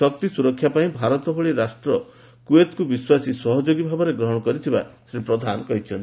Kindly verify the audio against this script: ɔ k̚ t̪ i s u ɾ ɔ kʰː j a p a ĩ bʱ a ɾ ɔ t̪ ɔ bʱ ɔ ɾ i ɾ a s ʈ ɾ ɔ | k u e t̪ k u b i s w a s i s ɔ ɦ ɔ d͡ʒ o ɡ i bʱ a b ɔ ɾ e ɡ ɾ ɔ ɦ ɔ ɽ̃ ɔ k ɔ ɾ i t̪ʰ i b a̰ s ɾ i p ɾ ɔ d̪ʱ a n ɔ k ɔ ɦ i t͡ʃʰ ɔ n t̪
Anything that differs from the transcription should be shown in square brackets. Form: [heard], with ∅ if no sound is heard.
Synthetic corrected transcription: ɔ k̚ t̪ i s u ɾ ɔ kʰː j a p a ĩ bʱ a ɾ ɔ t̪ ɔ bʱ ɔ [ɭ] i ɾ a s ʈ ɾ ɔ | k u e t̪ k u b i s w a s i s ɔ ɦ ɔ d͡ʒ o ɡ i bʱ a b ɔ ɾ e ɡ ɾ ɔ ɦ ɔ ɽ̃ ɔ k ɔ ɾ i t̪ʰ i b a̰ s ɾ i p ɾ ɔ d̪ʱ a n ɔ k ɔ ɦ i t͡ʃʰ ɔ n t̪